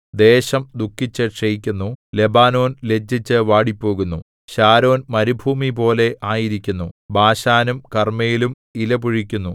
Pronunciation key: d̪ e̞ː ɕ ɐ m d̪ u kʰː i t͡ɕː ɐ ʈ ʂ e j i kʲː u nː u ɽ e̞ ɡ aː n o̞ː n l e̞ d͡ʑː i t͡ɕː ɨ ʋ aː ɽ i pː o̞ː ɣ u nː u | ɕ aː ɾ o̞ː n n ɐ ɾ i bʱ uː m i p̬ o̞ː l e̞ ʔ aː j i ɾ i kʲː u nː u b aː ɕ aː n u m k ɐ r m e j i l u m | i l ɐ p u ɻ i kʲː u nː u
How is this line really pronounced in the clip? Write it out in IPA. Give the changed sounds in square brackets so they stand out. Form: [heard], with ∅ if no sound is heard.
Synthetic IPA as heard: d̪ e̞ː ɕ ɐ m d̪ u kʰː i t͡ɕː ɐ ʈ ʂ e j i kʲː u nː u [l] e̞ [b] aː n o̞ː n l e̞ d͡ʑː i t͡ɕː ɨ ʋ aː ɽ i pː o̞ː ɣ u nː u | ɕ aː ɾ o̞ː n [m] ɐ ɾ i bʱ uː m i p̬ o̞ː l e̞ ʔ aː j i ɾ i kʲː u nː u b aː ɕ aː n u m k ɐ r m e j i l u m | i l ɐ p u ɻ i kʲː u nː u